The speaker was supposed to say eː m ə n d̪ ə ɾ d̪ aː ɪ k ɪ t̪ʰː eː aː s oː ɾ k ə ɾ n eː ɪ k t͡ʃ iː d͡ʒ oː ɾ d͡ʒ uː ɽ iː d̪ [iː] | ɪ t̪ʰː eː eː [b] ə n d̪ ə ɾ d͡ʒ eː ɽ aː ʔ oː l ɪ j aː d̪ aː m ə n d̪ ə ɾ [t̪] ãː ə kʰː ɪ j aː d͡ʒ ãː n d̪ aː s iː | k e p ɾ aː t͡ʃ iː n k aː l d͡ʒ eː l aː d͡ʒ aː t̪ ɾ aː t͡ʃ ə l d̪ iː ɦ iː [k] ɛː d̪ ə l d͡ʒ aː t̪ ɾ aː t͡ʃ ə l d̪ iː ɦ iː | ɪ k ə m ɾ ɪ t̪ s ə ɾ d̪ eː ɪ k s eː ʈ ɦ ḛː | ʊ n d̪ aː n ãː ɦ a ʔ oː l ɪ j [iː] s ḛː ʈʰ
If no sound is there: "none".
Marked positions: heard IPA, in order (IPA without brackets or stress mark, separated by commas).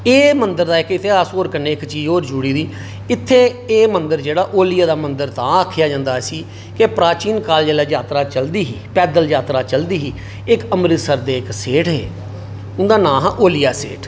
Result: iː, m, t̪, p, aː